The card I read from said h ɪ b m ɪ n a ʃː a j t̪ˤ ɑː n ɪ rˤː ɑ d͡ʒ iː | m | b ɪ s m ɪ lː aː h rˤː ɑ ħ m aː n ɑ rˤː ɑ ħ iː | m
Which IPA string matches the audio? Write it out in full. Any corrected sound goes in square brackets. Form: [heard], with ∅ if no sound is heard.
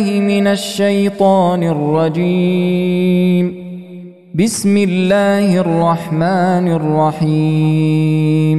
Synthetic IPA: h ɪ [∅] m ɪ n a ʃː a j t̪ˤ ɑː n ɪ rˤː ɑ d͡ʒ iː | m | b ɪ s m ɪ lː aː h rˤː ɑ ħ m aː n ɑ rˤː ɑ ħ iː | m

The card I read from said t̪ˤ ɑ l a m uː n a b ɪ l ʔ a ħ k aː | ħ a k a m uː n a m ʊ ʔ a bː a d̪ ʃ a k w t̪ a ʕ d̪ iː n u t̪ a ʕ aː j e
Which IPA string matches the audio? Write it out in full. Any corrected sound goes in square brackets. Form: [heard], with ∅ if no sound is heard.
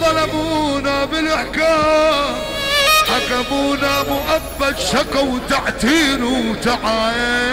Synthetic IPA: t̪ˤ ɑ l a m uː n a b ɪ l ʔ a ħ k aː | ħ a k a m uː n a m ʊ ʔ a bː a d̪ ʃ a k w t̪ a ʕ [t̪] iː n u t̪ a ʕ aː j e

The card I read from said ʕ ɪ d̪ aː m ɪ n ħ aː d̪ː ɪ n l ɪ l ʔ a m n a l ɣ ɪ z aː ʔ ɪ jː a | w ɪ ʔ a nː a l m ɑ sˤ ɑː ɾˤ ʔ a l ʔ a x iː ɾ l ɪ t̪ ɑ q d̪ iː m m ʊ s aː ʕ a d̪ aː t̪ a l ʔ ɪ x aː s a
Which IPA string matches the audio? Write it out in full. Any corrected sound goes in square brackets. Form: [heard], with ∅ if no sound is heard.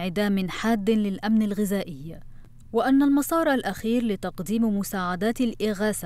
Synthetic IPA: ʕ ɪ d̪ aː m ɪ n ħ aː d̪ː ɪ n l ɪ l ʔ a m n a l ɣ ɪ z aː ʔ ɪ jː a | w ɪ ʔ a nː a l m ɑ sˤ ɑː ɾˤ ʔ a l ʔ a x iː ɾ l ɪ t̪ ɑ q d̪ iː m m ʊ s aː ʕ a d̪ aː t̪ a l ʔ ɪ [ɣ] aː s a

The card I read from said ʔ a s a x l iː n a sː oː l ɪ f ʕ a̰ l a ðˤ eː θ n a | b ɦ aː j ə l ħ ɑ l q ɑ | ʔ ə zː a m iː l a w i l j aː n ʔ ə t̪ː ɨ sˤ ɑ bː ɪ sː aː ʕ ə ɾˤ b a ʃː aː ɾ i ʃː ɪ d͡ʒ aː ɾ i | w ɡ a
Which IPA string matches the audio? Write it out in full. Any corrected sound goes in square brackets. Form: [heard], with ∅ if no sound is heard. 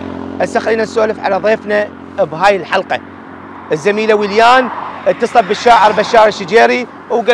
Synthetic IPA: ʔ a s a x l iː n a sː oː l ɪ f ʕ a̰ l a ðˤ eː [f] n a | b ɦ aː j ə l ħ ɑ l q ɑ | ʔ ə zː a m iː l a w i l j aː n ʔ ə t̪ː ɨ sˤ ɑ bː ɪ [ʃː] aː ʕ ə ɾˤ b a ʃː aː ɾ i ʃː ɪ d͡ʒ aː ɾ i | w ɡ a

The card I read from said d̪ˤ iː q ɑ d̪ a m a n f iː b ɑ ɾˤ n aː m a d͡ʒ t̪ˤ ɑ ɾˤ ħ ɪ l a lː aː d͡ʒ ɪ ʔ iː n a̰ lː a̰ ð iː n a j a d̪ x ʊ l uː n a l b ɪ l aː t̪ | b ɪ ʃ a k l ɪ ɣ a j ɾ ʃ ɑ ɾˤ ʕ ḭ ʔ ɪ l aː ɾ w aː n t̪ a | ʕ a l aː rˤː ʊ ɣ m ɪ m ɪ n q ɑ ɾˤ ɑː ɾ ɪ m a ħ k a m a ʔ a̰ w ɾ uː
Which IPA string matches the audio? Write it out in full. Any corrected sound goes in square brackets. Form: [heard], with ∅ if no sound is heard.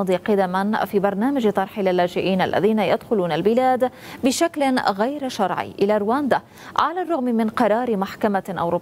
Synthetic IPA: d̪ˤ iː q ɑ d̪ a m a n f iː b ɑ ɾˤ n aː m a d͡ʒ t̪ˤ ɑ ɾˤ ħ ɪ l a lː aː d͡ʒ ɪ ʔ iː n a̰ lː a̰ ð iː n a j a d̪ x ʊ l uː n a l b ɪ l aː [d̪] | b ɪ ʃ a k l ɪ ɣ a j ɾ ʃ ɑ ɾˤ ʕ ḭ ʔ ɪ l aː ɾ w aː n [d̪] a | ʕ a l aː rˤː ʊ ɣ m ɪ m ɪ n q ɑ ɾˤ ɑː ɾ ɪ m a ħ k a m a ʔ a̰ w ɾ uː

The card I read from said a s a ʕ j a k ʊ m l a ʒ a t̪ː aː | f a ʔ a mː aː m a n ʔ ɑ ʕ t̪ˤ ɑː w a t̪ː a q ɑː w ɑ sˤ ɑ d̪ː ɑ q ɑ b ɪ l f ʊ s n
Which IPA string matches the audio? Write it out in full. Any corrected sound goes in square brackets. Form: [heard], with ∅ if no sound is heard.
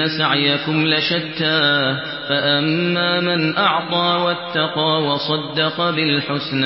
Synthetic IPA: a s a ʕ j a k ʊ m l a [ʃ] a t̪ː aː | f a ʔ a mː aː m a n ʔ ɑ ʕ t̪ˤ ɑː w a t̪ː [ɑ] q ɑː w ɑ sˤ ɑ d̪ː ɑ q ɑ b ɪ l [ħ] ʊ s n

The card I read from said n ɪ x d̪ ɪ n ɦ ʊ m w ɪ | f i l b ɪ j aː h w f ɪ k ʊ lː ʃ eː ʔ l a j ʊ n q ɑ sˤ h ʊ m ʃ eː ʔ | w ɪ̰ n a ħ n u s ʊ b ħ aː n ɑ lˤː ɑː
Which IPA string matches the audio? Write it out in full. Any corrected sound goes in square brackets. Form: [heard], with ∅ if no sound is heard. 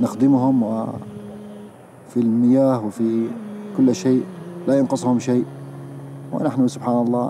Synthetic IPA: n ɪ x d̪ ɪ [m] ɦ ʊ m w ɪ | f i l [m] ɪ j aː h w f [i] k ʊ lː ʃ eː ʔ l a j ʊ n q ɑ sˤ h ʊ m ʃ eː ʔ | w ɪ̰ n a ħ n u s ʊ b ħ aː n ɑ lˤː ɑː

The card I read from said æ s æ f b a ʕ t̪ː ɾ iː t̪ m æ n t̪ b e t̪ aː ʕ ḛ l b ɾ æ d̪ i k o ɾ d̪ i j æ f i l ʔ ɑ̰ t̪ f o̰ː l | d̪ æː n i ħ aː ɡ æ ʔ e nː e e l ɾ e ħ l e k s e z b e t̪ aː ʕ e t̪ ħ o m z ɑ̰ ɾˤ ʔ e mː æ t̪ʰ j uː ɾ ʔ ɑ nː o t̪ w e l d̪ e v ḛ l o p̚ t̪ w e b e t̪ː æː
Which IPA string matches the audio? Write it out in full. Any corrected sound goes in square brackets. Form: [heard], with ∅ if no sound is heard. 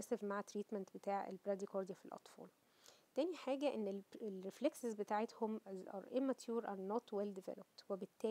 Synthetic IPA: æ s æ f [m] a ʕ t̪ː ɾ iː t̪ m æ n t̪ b e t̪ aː ʕ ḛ l b ɾ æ d̪ i k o ɾ d̪ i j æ f i l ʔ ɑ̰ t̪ f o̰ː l | [t̪] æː n i ħ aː ɡ æ ʔ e nː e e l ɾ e [f] l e k s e z b e t̪ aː ʕ e t̪ [h] o m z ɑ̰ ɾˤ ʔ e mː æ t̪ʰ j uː ɾ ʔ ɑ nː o t̪ w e l d̪ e v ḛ l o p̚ t̪ w e b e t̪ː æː

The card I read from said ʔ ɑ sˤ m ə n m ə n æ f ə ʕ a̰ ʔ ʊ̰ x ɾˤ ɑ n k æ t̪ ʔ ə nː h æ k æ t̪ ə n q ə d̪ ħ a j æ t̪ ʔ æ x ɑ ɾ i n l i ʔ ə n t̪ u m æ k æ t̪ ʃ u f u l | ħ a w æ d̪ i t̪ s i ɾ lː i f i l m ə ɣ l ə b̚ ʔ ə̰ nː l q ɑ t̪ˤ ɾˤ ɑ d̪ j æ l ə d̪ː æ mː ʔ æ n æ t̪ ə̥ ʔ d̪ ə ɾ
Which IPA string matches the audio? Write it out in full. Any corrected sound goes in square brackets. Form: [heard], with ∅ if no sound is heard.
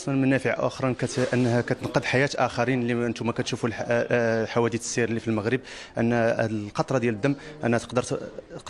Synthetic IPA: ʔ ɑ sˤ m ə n m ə n æ f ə ʕ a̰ ʔ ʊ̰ x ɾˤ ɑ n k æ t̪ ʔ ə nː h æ k æ t̪ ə n q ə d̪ ħ a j æ t̪ ʔ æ x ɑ ɾ i n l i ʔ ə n t̪ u m æ k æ t̪ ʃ u f u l | ħ a w æ d̪ i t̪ s i ɾ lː i f i l m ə ɣ [ɾ] ə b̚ ʔ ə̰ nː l q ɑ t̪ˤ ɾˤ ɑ d̪ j æ l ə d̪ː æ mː ʔ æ n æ t̪ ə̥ [q] d̪ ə ɾ

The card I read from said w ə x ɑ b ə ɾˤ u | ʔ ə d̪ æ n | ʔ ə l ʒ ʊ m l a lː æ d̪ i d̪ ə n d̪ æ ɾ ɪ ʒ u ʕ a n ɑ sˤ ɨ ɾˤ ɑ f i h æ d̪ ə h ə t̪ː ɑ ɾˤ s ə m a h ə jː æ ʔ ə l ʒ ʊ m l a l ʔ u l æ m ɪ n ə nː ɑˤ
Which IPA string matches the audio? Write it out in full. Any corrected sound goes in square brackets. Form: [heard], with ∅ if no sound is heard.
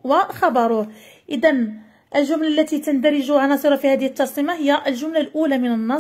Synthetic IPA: w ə x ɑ b [ɑ] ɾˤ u | ʔ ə d̪ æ n | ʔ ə l ʒ ʊ m l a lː æ [t̪] i [t̪] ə n d̪ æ ɾ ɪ ʒ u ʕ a n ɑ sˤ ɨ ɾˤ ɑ f i h æ d̪ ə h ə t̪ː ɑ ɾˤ s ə m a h ə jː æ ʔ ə l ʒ ʊ m l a l ʔ u l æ m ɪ n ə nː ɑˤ

